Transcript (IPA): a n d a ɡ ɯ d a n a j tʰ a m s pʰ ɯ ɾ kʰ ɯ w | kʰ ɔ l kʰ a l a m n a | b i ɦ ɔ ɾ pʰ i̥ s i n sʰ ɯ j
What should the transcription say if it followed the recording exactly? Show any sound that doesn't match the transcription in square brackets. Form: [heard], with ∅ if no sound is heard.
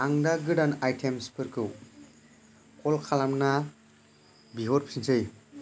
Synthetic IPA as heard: a [ŋ] d a ɡ ɯ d a n a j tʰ [e] m s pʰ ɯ ɾ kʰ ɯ w | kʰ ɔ l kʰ a l a m n a | b i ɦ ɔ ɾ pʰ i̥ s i n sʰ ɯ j